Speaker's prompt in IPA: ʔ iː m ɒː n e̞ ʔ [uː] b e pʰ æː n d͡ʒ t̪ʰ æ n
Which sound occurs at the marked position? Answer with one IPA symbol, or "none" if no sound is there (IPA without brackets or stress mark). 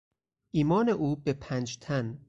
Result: uː